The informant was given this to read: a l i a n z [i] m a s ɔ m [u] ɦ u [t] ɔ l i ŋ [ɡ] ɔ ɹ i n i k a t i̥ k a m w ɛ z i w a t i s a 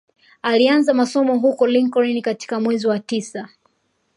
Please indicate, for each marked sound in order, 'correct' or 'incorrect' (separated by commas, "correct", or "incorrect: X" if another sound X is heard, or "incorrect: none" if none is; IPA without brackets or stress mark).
incorrect: a, incorrect: ɔ, incorrect: k, incorrect: k